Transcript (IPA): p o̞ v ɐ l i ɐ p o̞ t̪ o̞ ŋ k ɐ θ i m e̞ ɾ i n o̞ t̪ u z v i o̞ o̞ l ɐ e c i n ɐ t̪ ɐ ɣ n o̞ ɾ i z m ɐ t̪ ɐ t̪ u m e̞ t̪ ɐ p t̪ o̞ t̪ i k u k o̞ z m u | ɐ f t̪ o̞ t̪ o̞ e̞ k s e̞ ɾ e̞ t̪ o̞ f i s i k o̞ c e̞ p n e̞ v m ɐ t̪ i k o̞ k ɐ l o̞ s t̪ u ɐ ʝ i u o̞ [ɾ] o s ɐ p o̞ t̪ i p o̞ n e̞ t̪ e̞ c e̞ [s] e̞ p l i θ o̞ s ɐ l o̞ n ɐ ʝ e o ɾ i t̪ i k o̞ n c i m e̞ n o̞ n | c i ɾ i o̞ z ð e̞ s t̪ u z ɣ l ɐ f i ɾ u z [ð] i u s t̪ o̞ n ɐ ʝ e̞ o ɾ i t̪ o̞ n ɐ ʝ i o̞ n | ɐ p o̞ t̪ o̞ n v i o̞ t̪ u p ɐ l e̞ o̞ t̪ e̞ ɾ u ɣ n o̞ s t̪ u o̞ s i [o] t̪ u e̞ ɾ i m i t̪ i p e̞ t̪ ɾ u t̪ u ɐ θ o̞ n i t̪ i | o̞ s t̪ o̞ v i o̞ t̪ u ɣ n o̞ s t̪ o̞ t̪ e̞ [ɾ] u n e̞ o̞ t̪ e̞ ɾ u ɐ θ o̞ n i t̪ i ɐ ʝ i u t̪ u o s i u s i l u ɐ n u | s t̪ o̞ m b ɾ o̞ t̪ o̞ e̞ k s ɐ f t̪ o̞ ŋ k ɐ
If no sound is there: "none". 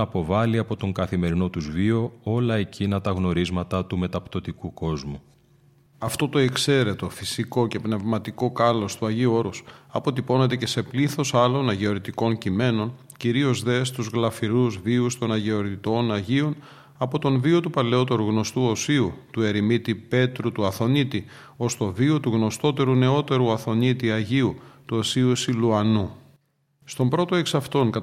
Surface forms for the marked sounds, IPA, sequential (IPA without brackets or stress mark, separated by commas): ɾ, s, v, u, ɾ